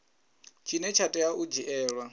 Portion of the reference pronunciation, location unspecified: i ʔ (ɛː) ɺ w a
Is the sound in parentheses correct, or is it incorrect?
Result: correct